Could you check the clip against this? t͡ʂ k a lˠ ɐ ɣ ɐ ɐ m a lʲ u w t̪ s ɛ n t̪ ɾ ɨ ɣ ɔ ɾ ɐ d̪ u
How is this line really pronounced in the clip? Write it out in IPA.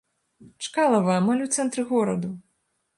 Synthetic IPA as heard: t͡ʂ k a lˠ ɐ v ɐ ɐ m a lʲ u w t̪ s ɛ n t̪ ɾ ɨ ɣ ɔ ɾ ɐ d̪ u